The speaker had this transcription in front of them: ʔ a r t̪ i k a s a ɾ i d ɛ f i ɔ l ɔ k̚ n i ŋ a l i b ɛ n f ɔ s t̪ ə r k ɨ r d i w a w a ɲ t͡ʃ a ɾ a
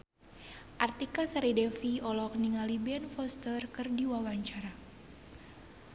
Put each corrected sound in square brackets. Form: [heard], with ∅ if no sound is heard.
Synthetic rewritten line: ʔ a r t̪ i k a s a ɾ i d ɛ f i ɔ l ɔ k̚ n i ŋ a l i b ɛ n f ɔ s t̪ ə r k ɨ r d i w a w a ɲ t͡ʃ a ɾ a